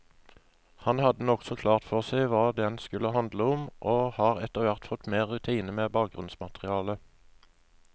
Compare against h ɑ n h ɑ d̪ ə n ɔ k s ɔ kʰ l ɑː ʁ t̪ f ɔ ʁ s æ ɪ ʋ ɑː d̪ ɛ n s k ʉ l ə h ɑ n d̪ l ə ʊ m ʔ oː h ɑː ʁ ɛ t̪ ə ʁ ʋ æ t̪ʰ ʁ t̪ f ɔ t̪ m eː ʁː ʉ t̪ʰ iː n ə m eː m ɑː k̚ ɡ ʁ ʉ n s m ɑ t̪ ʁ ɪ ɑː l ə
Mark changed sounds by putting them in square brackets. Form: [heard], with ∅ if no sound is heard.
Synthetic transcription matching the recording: h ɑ n h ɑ d̪ ə n ɔ k s ɔ kʰ l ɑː ʁ t̪ f ɔ ʁ s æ ɪ ʋ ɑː d̪ ɛ n s k ʉ l ə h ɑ n d̪ l ə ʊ m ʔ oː h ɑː ʁ ɛ t̪ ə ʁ ʋ æ [∅] ʁ t̪ f ɔ t̪ m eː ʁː ʉ t̪ʰ iː n ə m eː [b] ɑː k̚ ɡ ʁ ʉ n s m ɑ t̪ ʁ ɪ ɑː l ə